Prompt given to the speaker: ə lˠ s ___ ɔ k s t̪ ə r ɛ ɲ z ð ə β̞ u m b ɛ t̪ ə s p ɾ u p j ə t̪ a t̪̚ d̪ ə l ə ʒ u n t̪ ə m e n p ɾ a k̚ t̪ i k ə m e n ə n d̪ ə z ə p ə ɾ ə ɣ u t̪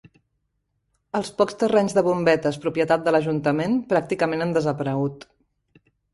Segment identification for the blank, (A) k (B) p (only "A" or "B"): B